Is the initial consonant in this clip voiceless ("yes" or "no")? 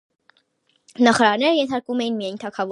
no